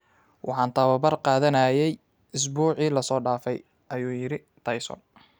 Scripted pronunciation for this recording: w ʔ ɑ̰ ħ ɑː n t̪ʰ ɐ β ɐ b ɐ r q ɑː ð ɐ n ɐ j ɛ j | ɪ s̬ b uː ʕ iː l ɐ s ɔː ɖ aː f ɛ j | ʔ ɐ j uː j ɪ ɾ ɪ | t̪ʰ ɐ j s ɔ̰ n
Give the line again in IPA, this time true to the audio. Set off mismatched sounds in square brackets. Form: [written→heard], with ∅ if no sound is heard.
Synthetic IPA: w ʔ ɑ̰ ħ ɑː n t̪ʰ ɐ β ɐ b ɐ r q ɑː ð ɐ n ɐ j ɛ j | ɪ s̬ b uː ʕ iː l ɐ s ɔː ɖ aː f ɛ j | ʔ ɐ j uː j ɪ ɾ ɪ | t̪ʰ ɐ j s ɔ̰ n